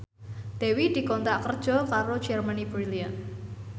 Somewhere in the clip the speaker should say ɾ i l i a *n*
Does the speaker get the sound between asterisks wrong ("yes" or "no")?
no